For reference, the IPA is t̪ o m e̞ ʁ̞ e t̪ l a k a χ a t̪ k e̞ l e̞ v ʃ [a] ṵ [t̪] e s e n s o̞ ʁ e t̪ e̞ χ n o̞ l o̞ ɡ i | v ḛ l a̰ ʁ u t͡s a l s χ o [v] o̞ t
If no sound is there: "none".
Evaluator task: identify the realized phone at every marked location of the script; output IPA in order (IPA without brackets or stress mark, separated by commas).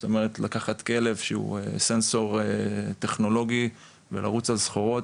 e, none, ʁ